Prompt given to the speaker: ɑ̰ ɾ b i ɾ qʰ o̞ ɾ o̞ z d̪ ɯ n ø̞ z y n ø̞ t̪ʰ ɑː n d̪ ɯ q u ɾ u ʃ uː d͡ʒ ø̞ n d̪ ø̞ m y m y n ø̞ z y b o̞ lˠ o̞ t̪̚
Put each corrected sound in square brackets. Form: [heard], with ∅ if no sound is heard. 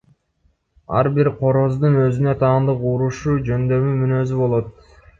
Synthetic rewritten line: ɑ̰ ɾ b i ɾ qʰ o̞ ɾ o̞ z d̪ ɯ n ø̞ z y n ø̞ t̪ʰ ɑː n d̪ ɯ q u ɾ u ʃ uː d͡ʒ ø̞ n d̪ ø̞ m y m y n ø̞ z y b o̞ lˠ o̞ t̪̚